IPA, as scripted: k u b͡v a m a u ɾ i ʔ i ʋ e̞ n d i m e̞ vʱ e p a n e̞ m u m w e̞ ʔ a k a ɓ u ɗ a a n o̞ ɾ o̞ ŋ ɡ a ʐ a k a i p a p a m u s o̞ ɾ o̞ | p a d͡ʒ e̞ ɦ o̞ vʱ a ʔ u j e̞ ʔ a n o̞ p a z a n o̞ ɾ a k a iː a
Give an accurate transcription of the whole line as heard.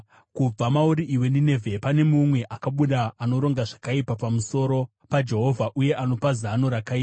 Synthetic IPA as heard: k u b͡v a m a u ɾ i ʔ i w e̞ n d i n e̞ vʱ e p a n e̞ m u m w e̞ ʔ a k a ɓ u ɗ a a n o̞ ɾ o̞ ŋ ɡ a ʐ a k a i p a p a m u s o̞ ɾ o̞ | p a d͡ʒ e̞ ɦ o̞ vʱ a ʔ u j e̞ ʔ a n o̞ p a z a n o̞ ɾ a k a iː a